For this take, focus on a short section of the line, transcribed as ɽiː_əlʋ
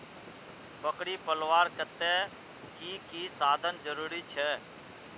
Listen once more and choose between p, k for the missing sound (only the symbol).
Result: p